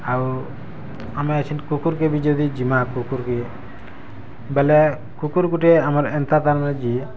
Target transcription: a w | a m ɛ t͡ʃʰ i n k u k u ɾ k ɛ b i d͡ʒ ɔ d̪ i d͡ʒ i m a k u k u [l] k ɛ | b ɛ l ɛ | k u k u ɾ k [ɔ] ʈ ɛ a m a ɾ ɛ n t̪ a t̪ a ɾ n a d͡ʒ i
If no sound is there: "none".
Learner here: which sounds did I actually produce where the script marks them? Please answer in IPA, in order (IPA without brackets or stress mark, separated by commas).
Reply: ɾ, u